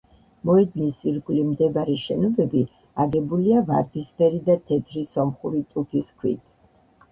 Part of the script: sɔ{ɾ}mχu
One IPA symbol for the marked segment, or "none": none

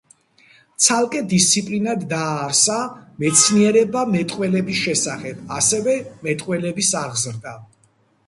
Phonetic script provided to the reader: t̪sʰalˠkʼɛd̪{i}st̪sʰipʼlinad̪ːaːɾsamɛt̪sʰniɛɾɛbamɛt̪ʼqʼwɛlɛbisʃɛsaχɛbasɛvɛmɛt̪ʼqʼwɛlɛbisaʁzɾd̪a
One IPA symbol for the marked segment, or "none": i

